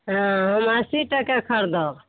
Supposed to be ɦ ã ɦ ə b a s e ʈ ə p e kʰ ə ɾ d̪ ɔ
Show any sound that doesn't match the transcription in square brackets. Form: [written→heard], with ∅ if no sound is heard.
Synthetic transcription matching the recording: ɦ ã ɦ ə [b→m] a s [e→i] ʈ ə [p→k] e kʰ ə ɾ d̪ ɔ